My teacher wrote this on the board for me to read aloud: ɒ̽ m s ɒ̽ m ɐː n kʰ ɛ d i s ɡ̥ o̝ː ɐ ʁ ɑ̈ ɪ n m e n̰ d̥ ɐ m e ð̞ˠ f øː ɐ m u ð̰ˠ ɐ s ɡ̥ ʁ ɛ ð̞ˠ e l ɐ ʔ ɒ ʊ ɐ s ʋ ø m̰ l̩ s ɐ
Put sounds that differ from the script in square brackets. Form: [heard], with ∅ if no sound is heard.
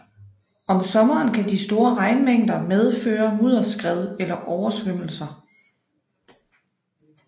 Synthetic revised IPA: ɒ̽ m s ɒ̽ m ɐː n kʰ [æ] d i s [d̥] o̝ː ɐ ʁ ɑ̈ ɪ n m e [ŋ̰] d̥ ɐ m e ð̞ˠ f øː ɐ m u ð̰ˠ ɐ s ɡ̥ ʁ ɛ ð̞ˠ e l ɐ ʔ ɒ ʊ ɐ s ʋ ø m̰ l̩ s ɐ